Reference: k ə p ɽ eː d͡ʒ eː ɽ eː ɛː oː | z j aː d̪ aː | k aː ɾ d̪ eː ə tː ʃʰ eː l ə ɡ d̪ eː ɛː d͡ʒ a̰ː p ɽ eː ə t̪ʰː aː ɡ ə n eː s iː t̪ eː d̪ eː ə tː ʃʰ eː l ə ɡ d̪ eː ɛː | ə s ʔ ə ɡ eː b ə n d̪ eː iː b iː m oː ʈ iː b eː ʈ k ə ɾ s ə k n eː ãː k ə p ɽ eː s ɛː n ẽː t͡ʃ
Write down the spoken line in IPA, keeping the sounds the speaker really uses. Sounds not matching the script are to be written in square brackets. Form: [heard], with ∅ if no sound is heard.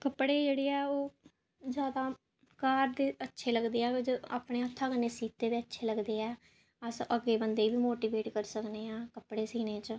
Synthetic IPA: k ə p ɽ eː d͡ʒ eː ɽ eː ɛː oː | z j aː d̪ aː | k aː ɾ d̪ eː ə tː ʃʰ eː l ə ɡ d̪ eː ɛː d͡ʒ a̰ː p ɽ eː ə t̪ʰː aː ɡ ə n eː s iː t̪ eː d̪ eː ə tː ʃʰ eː l ə ɡ d̪ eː ɛː | ə s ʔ ə ɡ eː b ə n d̪ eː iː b iː m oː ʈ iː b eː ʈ k ə ɾ s ə k n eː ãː k ə p ɽ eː s [iː] n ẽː t͡ʃ